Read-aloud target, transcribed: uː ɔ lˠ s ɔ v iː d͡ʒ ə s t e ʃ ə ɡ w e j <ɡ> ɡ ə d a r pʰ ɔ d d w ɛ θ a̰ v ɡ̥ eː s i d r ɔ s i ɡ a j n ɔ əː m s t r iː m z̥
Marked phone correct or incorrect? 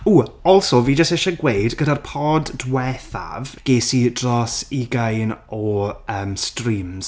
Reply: incorrect: d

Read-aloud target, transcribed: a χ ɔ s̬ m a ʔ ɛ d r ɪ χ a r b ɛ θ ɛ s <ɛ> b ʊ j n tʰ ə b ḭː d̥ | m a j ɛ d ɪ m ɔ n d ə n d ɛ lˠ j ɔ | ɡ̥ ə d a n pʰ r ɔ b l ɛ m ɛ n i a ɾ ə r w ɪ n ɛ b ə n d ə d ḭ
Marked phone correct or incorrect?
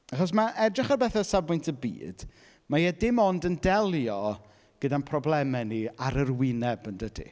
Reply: incorrect: a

